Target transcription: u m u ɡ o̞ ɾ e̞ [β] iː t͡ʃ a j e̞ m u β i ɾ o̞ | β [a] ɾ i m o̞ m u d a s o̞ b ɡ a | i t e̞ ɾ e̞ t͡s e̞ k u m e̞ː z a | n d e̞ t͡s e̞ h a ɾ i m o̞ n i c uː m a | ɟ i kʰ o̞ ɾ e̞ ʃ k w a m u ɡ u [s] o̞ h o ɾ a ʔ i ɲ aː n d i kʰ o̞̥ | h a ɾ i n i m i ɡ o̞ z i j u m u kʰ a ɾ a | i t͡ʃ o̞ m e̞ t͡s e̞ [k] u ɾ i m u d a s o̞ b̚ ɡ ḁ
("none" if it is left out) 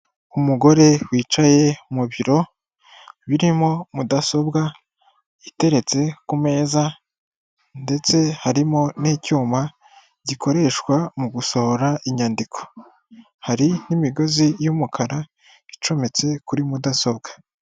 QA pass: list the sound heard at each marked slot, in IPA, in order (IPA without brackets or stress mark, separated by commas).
w, i, s, k